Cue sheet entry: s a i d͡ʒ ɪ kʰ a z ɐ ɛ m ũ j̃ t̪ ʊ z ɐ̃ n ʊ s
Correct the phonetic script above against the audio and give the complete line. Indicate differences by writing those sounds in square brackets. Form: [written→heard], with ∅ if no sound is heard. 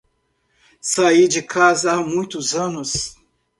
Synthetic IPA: s a i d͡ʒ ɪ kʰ a z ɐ [ɛ→a] m ũ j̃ t̪ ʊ z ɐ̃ n ʊ s